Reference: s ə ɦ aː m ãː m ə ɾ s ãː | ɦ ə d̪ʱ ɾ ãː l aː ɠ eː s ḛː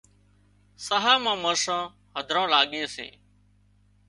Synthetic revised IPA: s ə ɦ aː m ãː m ə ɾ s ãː | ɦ ə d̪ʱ ɾ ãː l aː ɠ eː s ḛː